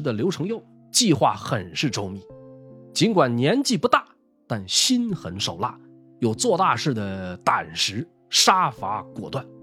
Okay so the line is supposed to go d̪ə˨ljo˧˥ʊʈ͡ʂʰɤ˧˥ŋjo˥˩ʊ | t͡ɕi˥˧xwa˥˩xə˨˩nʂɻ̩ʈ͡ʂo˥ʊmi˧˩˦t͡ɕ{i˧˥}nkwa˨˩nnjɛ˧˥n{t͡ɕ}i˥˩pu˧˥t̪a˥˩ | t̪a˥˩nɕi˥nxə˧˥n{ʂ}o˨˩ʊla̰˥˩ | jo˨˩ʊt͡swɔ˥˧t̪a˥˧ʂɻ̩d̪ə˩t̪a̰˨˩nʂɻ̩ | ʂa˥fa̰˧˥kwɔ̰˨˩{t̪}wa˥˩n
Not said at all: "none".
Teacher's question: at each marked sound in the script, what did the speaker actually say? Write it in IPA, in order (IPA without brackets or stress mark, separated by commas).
i˧˥, t͡ɕ, ʂ, t̪